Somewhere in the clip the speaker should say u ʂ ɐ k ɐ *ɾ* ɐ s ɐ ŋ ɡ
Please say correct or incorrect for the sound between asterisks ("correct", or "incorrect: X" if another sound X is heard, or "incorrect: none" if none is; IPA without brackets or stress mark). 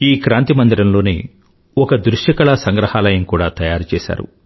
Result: incorrect: ɭ